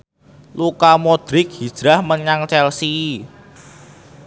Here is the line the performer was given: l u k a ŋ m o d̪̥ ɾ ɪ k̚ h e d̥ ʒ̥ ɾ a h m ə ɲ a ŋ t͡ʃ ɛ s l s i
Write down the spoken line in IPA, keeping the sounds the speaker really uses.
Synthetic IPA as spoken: l u k a m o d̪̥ ɾ ɪ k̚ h i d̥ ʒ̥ ɾ a h m ə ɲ a ŋ t͡ʃ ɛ l s i